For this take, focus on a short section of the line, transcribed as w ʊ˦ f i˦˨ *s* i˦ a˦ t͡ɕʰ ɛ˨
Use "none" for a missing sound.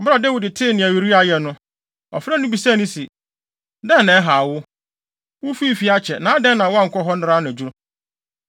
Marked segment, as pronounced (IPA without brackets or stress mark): f